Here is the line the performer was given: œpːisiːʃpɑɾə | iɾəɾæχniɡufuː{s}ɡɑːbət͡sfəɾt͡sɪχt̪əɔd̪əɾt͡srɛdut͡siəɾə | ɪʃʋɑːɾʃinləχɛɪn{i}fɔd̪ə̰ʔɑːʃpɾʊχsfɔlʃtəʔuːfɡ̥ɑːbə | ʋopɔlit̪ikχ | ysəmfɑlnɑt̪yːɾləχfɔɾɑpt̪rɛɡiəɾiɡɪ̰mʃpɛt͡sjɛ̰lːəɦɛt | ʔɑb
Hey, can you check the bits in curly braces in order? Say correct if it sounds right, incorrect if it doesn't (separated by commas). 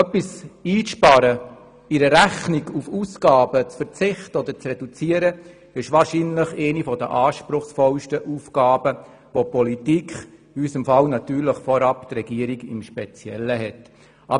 correct, correct